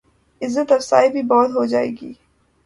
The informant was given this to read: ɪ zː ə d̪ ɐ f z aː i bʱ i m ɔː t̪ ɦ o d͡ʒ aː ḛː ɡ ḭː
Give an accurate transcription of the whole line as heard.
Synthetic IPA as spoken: ɪ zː ə t̪ ɐ f s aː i bʱ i b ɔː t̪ ɦ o d͡ʒ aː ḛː ɡ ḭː